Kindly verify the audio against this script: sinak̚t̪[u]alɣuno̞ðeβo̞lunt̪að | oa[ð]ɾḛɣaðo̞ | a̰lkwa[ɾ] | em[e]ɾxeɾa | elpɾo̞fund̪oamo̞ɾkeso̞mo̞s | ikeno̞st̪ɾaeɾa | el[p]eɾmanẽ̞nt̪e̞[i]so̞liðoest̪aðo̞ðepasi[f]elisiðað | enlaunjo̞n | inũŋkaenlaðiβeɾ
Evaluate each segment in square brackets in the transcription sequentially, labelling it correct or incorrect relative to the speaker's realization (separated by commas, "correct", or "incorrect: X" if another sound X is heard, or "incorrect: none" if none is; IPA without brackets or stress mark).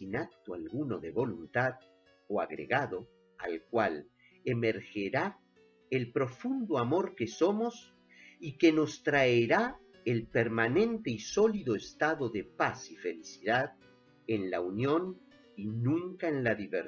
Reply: incorrect: o, incorrect: ɣ, incorrect: l, correct, correct, correct, correct